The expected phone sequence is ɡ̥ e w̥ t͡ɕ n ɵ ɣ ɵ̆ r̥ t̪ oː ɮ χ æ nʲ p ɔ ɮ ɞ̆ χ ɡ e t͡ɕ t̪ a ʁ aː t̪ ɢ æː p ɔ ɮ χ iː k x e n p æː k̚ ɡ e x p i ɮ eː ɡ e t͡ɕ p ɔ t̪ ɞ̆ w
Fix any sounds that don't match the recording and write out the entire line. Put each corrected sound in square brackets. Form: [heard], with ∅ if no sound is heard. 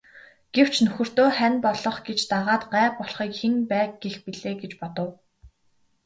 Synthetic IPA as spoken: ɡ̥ e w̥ t͡ɕ n ɵ [x] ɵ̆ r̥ t̪ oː [∅] χ æ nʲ p ɔ ɮ ɞ̆ χ ɡ e t͡ɕ t̪ a ʁ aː t̪ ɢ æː p ɔ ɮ χ iː k x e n p æː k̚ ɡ e x p i ɮ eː ɡ e t͡ɕ p ɔ t̪ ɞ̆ w